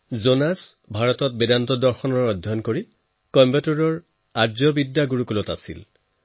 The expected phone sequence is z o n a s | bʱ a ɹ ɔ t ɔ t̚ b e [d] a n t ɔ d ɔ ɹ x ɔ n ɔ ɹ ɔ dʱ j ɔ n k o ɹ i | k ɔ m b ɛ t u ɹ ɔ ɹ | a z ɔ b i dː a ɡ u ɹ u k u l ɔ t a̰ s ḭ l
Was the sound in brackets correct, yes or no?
yes